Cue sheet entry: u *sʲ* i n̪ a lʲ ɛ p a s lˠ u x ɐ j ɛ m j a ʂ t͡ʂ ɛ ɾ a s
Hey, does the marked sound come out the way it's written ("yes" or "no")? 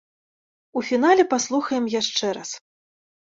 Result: no